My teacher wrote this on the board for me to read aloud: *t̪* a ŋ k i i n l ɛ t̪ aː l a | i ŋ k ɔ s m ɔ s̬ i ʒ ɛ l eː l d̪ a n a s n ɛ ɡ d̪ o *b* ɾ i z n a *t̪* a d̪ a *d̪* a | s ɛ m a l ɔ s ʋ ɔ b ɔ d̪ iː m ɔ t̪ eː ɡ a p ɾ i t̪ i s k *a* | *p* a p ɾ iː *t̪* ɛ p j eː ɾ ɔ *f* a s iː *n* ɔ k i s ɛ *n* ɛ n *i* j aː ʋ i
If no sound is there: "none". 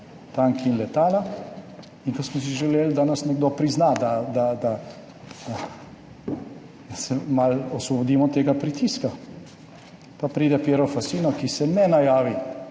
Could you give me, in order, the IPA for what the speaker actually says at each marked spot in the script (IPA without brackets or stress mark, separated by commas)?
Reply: t̪, p, d̪, d̪, a, p, d̪, f, n, n, a